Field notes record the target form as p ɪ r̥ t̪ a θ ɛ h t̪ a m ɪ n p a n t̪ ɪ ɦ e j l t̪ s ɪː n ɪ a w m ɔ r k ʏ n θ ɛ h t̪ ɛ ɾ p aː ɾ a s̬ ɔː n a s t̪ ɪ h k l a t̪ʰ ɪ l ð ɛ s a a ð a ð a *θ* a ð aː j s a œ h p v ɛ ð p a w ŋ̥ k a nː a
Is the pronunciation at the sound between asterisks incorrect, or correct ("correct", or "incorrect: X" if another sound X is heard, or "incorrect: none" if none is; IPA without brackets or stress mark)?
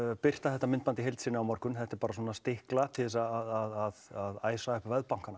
incorrect: ð